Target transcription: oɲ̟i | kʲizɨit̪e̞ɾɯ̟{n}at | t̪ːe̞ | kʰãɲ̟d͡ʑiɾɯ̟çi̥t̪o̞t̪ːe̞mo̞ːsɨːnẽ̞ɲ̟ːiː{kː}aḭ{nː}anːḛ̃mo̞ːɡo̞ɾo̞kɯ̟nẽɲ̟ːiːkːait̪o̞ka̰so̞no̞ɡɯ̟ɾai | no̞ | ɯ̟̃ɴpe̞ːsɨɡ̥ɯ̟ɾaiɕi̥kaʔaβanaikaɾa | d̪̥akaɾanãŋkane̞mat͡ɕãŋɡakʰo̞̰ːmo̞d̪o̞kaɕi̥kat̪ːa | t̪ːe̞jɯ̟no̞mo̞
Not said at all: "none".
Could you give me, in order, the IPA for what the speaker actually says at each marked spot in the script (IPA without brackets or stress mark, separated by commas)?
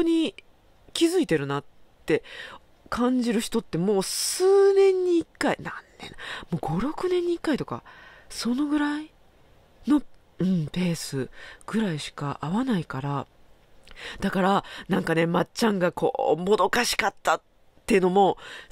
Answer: n, kː, n